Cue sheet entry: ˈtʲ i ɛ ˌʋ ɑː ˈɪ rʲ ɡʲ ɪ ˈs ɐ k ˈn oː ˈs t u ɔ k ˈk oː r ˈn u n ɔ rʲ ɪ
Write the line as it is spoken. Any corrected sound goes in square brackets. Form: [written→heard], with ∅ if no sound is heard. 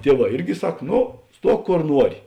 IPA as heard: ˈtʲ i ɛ ˌʋ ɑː ˈɪ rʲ ɡʲ ɪ ˈs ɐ k ˈn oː ˈs t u ɔ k ˈk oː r ˈn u [n→∅] ɔ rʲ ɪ